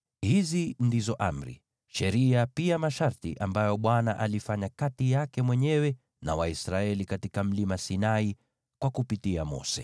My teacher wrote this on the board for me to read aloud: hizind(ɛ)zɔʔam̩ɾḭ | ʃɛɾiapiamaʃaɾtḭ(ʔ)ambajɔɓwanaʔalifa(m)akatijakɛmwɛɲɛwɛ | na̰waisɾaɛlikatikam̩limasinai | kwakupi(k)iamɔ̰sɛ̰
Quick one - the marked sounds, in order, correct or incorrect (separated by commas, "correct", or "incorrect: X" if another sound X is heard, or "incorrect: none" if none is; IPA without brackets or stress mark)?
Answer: incorrect: i, correct, incorrect: ɲ, incorrect: t